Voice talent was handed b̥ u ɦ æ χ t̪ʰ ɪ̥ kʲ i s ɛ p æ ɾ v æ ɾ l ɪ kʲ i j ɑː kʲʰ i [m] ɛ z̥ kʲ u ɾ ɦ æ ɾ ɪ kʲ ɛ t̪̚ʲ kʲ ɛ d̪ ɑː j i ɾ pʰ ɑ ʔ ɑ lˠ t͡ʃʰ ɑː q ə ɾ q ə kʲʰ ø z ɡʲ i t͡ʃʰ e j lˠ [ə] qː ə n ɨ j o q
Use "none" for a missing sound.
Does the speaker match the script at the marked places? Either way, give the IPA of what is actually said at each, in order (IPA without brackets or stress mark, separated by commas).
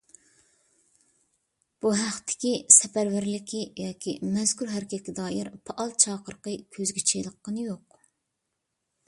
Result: m, ə